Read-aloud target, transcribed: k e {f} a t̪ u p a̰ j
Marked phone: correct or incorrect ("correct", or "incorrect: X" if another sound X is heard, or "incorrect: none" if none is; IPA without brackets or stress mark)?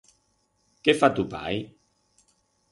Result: correct